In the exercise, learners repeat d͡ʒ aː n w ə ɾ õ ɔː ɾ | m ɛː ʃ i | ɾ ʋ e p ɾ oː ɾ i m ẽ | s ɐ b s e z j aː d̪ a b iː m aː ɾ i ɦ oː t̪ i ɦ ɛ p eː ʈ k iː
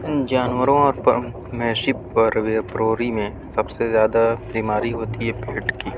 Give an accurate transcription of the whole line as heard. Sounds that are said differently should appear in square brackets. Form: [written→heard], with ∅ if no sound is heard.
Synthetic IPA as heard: d͡ʒ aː n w ə ɾ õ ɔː ɾ | m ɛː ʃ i | ɾ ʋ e p ɾ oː ɾ i m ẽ | s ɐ b s e z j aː d̪ a b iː m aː ɾ i ɦ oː t̪ i ɦ ɛ p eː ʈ k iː